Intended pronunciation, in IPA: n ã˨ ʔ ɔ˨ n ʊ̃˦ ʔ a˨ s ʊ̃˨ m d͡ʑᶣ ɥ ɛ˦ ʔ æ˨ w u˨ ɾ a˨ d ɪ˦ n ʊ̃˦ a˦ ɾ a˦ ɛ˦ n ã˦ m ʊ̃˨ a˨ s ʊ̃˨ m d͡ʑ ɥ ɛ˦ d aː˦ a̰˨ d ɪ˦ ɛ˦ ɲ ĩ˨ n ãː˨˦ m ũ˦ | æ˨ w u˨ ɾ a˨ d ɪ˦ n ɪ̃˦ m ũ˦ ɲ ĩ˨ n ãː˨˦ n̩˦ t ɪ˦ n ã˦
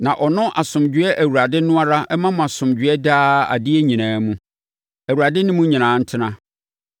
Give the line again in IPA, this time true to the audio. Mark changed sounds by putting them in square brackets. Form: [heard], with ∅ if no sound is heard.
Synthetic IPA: n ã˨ ʔ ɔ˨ n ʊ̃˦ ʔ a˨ s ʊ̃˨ m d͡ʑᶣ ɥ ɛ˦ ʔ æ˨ w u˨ ɾ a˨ d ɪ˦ n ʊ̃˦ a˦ ɾ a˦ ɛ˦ [m] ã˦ m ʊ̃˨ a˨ s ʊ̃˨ m d͡ʑ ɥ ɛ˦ d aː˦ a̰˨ d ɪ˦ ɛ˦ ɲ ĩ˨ n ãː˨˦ m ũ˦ | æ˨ w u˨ ɾ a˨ d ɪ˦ n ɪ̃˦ m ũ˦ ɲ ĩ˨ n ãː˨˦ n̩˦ [tʰ] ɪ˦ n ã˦